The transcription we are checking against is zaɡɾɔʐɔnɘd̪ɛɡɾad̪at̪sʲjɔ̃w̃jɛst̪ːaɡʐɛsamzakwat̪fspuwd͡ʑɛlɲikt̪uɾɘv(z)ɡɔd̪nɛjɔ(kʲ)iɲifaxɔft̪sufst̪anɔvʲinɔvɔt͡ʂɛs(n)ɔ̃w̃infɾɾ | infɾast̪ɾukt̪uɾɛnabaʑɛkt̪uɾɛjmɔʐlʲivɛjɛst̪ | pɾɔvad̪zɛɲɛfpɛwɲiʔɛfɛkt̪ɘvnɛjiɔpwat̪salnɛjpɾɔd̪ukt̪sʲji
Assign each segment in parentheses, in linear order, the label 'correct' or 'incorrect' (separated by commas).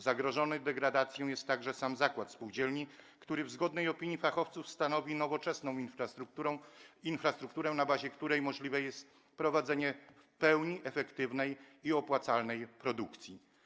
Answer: correct, incorrect, correct